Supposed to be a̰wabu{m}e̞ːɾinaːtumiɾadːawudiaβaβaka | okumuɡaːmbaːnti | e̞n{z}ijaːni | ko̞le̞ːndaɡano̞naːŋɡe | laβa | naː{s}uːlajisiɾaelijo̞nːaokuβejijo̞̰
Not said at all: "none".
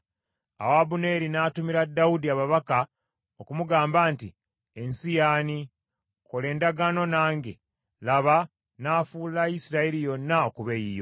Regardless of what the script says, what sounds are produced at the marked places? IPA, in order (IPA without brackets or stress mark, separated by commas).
n, s, f